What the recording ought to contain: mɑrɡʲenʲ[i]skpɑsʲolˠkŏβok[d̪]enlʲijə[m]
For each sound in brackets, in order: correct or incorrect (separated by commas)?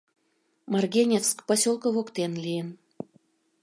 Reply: incorrect, incorrect, incorrect